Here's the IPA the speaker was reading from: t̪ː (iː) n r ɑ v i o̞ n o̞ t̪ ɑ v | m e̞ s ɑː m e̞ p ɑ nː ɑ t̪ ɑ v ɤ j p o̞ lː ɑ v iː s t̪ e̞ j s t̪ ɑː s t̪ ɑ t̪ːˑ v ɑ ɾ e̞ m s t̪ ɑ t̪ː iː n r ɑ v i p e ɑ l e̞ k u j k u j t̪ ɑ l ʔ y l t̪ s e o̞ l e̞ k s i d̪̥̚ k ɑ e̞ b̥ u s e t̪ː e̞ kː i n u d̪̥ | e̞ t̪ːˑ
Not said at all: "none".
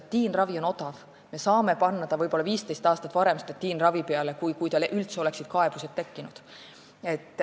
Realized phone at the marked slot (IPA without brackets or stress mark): iː